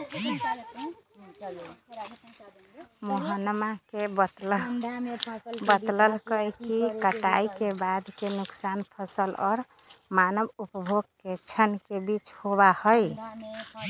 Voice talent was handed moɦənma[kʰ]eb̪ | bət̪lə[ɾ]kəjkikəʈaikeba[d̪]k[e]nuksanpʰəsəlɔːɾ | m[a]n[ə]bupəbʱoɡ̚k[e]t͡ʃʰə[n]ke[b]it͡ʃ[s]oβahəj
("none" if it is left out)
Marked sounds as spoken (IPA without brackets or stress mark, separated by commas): k, l, d̪, e, a, ə, e, n, b, h